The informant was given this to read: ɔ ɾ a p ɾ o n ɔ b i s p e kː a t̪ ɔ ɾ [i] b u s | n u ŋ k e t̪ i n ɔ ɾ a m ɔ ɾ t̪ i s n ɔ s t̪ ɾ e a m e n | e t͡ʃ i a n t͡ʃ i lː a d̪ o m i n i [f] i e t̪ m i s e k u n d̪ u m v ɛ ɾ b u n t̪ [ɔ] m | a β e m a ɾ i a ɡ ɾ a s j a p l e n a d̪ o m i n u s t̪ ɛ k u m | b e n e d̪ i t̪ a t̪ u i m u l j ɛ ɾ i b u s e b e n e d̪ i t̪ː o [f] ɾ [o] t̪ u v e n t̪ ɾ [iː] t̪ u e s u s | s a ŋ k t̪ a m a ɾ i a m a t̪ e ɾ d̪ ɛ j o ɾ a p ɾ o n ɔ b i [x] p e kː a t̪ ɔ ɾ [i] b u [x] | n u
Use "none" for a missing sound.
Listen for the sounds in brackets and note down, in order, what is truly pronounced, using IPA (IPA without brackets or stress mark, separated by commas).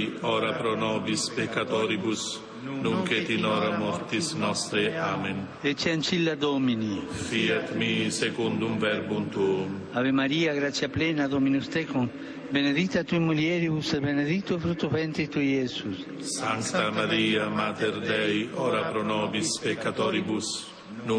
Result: i, f, u, f, u, i, s, i, s